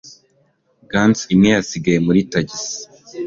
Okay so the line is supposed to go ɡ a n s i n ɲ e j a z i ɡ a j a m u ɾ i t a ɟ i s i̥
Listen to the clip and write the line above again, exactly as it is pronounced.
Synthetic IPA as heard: ɡ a n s i m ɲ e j a s i ɡ a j e m u ɾ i t a ɟ i s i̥